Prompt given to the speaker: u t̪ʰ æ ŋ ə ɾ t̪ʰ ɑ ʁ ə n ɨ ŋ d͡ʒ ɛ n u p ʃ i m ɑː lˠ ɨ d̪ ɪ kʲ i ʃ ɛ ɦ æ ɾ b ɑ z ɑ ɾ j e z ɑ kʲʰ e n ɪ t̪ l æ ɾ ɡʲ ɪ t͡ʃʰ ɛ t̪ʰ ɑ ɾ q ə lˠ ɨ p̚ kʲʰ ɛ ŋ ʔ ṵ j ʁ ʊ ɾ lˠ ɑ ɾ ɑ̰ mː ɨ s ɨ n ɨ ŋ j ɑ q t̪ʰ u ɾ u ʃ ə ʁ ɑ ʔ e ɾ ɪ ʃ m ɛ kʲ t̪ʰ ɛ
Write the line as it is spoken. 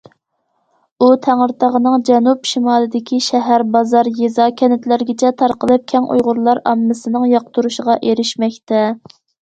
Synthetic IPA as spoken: u t̪ʰ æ ŋ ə ɾ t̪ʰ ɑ ʁ ə n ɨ ŋ d͡ʒ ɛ n u p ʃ i m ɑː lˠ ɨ d̪ ɪ kʲ i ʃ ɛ ɦ æ ɾ b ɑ z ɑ ɾ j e z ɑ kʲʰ ɛ n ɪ t̪ l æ ɾ ɡʲ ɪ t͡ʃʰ ɛ t̪ʰ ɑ ɾ q ə lˠ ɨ p̚ kʲʰ ɛ ŋ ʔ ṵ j ʁ ʊ ɾ lˠ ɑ ɾ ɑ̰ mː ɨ s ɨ n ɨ ŋ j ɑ q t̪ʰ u ɾ u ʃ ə ʁ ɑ ʔ e ɾ ɪ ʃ m ɛ kʲ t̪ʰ ɛ

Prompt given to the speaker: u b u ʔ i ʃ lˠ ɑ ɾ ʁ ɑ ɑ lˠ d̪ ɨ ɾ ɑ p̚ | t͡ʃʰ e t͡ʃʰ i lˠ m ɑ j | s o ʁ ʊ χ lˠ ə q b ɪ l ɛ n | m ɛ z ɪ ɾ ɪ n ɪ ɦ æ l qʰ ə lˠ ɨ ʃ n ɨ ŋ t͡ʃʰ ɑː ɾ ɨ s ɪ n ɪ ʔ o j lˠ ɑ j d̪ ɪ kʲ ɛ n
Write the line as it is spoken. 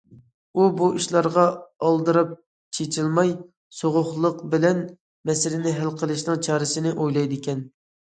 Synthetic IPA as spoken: u b u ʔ i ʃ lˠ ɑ ɾ ʁ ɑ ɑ lˠ d̪ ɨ ɾ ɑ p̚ | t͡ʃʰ e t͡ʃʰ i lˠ m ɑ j | s o ʁ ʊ χ lˠ ə q b ɪ l ɛ n | m ɛ s ɪ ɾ ɪ n ɪ ɦ æ l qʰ ə lˠ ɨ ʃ n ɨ ŋ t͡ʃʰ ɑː ɾ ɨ s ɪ n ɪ ʔ o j lˠ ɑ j d̪ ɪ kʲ ɛ n

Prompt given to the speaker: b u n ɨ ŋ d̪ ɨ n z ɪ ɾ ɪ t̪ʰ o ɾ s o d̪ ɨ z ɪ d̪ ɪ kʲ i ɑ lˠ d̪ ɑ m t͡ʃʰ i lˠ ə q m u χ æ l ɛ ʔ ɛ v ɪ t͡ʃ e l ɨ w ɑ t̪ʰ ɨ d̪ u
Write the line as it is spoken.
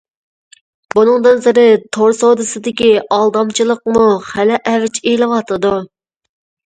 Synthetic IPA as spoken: b u n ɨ ŋ d̪ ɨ n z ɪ ɾ ɪ t̪ʰ o ɾ s o d̪ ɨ s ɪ d̪ ɪ kʲ i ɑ lˠ d̪ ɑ m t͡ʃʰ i lˠ ə q m u χ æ l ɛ ʔ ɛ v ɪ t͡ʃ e l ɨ w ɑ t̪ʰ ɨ d̪ u

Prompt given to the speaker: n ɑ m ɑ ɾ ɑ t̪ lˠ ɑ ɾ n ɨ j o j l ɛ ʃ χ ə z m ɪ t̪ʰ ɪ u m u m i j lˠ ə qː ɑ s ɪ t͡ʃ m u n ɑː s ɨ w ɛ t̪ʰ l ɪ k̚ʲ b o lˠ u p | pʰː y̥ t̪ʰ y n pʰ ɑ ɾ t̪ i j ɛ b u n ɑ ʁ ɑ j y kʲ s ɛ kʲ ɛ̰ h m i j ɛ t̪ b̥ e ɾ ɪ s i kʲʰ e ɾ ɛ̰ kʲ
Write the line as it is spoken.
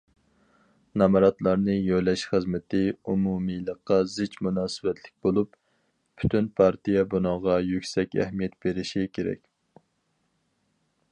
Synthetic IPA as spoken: n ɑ m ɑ ɾ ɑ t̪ lˠ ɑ ɾ n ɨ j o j l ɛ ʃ χ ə z m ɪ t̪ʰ ɪ u m u m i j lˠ ə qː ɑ z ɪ t͡ʃ m u n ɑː s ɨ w ɛ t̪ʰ l ɪ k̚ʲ b o lˠ u p | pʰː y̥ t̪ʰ y n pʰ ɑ ɾ t̪ i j ɛ b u n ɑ ʁ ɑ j y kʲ s ɛ kʲ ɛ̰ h m i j ɛ t̪ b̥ e ɾ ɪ ʃ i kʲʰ e ɾ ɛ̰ kʲ

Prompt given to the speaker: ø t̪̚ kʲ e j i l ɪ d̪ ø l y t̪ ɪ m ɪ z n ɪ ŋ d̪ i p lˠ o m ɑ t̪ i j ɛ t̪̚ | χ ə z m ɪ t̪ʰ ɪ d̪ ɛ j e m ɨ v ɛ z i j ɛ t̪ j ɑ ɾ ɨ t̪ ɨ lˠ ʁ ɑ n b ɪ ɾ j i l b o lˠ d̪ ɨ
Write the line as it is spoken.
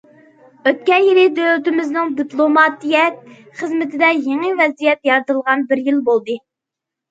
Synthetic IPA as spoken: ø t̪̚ kʲ ɛ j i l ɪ d̪ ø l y t̪ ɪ m ɪ z n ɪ ŋ d̪ i p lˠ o m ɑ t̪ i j ɛ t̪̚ | χ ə z m ɪ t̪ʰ ɪ d̪ ɛ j e ŋ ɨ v ɛ z i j ɛ t̪ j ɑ ɾ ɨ t̪ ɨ lˠ ʁ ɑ n b ɪ ɾ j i l b o lˠ d̪ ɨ

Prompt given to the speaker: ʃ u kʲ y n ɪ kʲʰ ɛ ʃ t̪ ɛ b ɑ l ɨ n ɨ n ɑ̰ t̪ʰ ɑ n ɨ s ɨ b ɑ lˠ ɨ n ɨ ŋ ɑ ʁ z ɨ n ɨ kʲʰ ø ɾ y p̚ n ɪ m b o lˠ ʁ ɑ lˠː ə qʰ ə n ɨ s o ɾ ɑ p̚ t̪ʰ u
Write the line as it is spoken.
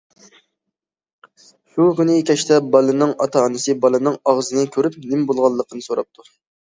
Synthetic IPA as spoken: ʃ u kʲ y n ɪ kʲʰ ɛ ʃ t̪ ɛ b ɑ l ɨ n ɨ ŋ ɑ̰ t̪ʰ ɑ n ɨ s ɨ b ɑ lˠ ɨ n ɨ ŋ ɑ ʁ z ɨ n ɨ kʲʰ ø ɾ y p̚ n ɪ m b o lˠ ʁ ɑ lˠː ə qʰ ə n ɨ s o ɾ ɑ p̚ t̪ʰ u

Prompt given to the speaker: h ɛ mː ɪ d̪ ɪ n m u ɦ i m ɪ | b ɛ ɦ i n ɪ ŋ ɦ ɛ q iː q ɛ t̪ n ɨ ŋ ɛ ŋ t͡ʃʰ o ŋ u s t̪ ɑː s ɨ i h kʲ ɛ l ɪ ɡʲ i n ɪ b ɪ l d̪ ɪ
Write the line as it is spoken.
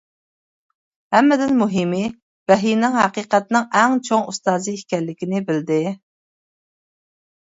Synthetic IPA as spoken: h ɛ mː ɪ d̪ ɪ n m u ɦ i m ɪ | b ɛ ɦ i n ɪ ŋ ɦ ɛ q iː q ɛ t̪ n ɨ ŋ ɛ ŋ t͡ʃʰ o ŋ u s t̪ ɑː z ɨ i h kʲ ɛ lː ɪ kʲ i n ɪ b ɪ l d̪ ɪ

